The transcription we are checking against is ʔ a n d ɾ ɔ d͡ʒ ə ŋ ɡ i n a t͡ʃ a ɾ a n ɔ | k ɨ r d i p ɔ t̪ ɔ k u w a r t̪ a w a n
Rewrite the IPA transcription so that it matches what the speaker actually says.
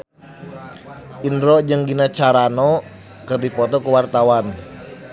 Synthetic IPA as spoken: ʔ i n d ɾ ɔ d͡ʒ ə ŋ ɡ i n a t͡ʃ a ɾ a n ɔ | k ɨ r d i p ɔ t̪ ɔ k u w a r t̪ a w a n